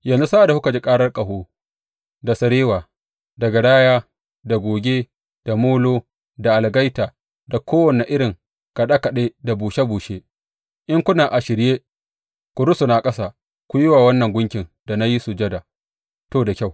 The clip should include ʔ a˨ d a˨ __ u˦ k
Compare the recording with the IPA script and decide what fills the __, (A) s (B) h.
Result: B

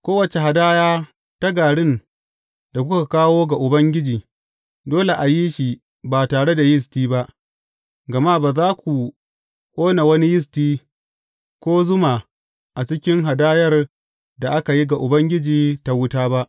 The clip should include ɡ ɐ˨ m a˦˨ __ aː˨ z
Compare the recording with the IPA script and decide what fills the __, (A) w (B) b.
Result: B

